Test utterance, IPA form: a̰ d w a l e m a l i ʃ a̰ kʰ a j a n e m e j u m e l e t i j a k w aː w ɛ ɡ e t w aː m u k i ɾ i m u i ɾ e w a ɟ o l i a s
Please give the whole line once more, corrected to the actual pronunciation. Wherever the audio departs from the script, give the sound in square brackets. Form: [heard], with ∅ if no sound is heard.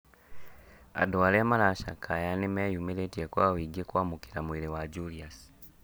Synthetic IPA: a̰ d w a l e m a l [a] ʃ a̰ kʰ a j a n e m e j u m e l e t i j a k w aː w [i] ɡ e [k] w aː m u k i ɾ [a] m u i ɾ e w a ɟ [u] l i a s